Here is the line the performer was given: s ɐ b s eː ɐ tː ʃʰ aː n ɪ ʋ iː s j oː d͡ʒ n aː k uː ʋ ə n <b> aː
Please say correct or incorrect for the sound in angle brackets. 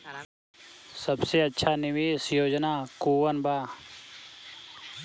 correct